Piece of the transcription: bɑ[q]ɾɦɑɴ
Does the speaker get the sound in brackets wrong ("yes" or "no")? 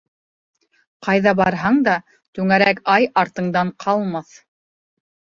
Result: yes